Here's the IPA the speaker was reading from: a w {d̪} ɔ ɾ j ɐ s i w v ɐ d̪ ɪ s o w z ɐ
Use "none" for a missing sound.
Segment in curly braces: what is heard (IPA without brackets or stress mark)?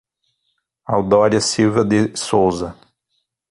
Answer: d̪